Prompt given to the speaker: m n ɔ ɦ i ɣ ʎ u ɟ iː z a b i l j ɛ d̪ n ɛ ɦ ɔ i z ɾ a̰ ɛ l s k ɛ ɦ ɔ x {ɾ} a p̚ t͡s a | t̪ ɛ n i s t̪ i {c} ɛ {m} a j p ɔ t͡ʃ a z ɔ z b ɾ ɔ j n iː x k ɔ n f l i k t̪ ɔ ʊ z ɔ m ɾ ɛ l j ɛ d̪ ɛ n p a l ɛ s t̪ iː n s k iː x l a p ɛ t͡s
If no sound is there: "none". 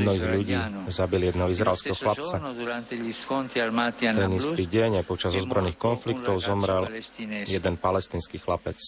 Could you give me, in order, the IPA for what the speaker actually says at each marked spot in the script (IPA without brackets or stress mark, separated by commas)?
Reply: l, ɟ, ɲ